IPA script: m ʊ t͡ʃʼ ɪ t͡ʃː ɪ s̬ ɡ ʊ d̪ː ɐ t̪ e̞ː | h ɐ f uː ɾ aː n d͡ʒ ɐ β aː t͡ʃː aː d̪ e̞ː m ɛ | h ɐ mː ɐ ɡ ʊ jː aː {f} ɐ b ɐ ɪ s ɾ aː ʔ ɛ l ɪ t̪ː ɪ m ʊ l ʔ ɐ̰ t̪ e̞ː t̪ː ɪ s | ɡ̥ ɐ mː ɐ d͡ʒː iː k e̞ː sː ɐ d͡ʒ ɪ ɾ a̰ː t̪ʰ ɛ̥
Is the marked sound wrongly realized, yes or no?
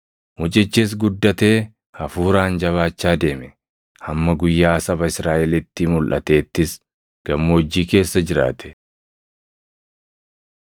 yes